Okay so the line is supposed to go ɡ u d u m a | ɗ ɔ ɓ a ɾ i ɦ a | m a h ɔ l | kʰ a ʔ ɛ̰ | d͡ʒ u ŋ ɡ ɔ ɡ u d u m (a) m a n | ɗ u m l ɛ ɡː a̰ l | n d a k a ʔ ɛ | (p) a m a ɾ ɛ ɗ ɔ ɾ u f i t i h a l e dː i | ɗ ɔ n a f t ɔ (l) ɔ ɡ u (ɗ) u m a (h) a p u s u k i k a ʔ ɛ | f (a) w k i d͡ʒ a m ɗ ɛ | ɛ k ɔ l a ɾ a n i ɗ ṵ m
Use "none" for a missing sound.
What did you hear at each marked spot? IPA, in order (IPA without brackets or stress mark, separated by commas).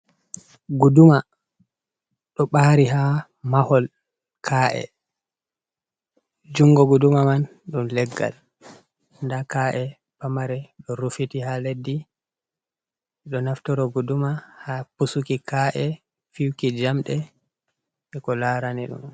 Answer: a, p, ɾ, d, h, i